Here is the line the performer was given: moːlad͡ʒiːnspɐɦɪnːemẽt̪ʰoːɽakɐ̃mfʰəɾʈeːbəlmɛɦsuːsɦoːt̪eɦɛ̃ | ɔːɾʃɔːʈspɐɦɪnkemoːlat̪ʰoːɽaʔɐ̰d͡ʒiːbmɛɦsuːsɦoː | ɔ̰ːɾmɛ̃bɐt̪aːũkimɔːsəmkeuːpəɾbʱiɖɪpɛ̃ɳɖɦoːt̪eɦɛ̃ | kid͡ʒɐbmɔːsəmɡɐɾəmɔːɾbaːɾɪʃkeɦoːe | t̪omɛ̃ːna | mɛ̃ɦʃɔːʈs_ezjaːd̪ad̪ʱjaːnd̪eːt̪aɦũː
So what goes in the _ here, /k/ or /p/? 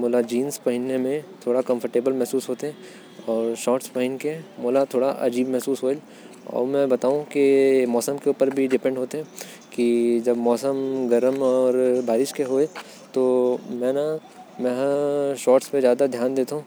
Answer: p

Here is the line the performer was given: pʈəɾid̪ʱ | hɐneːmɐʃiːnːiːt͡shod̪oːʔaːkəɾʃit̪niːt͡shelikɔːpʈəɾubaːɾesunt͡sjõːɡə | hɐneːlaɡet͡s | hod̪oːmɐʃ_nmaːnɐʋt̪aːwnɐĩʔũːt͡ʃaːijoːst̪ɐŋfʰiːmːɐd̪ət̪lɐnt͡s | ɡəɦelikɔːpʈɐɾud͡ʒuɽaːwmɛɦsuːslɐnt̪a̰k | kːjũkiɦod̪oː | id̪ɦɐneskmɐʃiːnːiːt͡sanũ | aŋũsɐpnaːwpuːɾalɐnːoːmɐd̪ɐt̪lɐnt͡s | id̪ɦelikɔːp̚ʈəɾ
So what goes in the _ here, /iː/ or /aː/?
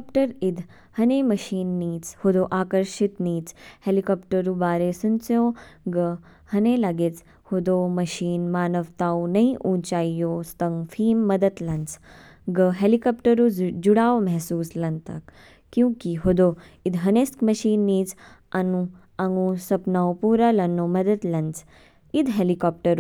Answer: iː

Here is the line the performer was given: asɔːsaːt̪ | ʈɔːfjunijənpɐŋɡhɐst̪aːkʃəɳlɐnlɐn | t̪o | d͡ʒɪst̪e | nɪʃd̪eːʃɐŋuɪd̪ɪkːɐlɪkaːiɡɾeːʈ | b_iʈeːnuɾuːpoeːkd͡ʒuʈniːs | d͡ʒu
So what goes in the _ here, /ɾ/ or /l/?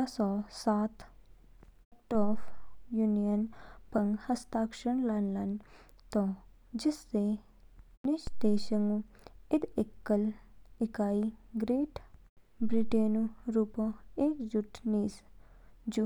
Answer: ɾ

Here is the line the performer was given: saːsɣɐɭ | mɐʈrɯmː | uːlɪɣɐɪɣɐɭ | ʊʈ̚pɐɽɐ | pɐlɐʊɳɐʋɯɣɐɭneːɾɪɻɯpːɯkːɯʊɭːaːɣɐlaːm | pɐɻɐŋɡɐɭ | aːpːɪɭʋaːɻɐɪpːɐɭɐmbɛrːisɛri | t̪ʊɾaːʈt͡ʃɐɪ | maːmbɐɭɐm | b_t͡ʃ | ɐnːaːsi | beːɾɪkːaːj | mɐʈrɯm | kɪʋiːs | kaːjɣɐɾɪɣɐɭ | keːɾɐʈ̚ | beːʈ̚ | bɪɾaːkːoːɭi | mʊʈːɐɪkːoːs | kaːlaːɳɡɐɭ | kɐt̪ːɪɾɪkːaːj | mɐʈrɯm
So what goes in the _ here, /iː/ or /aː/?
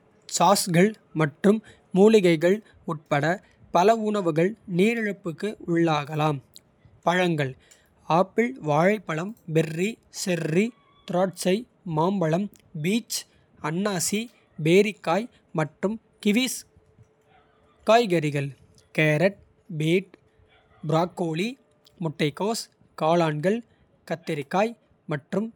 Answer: iː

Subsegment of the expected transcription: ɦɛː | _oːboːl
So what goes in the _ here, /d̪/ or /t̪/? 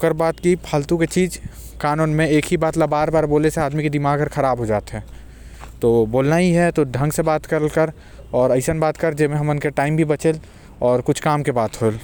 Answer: t̪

